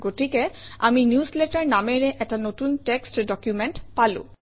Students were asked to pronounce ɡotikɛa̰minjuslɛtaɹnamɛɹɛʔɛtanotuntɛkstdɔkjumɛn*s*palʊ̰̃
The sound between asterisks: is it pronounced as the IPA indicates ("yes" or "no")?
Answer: no